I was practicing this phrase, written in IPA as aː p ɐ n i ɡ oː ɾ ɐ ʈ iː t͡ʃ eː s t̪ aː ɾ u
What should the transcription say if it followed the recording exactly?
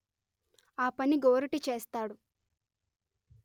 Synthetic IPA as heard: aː p ɐ n i ɡ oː ɾ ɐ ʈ i t͡ʃ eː s t̪ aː ɽ u

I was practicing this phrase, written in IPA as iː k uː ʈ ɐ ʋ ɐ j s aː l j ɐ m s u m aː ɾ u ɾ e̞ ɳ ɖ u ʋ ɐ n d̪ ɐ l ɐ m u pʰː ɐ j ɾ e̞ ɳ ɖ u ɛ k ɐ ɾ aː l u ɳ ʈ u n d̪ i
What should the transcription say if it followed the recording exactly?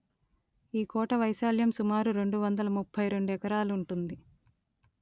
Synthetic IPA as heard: iː k ɔː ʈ ɐ ʋ ɐ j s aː l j ɐ m s u m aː ɾ u ɾ e̞ ɳ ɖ u ʋ ɐ n d̪ ɐ l ɐ m u pʰː ɐ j ɾ e̞ ɳ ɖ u ɛ k ɐ ɾ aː l u ɳ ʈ u n d̪ i

